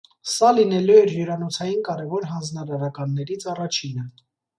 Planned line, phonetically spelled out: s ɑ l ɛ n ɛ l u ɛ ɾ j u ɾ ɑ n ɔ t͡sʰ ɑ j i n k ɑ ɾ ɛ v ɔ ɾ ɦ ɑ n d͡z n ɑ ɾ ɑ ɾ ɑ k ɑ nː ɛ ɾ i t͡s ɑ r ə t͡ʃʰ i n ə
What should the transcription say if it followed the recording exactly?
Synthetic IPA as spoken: s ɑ l i n ɛ l u ɛ ɾ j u ɾ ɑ n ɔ t͡sʰ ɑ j i n k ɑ ɾ ɛ v ɔ ɾ ɦ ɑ n d͡z n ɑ ɾ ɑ ɾ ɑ k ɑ nː ɛ ɾ i t͡sʰ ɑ r ɑ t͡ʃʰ i n ə